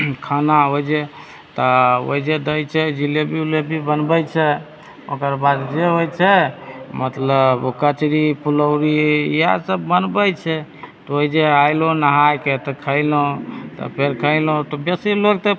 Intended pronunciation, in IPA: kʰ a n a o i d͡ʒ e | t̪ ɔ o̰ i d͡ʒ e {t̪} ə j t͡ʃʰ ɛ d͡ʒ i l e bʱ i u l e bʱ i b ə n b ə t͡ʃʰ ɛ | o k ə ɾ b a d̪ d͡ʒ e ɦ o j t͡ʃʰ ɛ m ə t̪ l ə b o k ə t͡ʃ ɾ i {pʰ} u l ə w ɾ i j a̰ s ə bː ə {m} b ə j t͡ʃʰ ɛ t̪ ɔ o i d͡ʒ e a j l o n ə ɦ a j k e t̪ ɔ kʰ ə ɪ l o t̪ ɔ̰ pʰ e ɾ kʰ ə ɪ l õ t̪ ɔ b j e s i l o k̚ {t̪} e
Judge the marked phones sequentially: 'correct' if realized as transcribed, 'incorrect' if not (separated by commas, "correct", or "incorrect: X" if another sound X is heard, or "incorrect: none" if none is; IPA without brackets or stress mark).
incorrect: d̪, incorrect: p, incorrect: n, correct